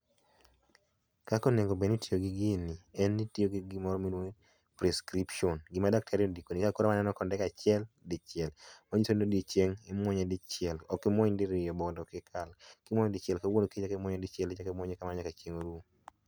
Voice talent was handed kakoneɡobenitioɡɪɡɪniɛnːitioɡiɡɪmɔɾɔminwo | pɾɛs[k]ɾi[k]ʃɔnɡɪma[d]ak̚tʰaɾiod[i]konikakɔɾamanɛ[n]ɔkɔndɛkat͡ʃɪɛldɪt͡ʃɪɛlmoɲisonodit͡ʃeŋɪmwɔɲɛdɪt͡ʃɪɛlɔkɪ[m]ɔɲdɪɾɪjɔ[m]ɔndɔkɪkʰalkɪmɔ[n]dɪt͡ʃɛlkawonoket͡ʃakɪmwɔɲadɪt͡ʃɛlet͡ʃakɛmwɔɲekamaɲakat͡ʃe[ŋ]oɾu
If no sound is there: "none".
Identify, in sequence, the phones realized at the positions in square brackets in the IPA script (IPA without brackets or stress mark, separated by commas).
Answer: k, p, d, i, n, m, b, ɲ, ŋ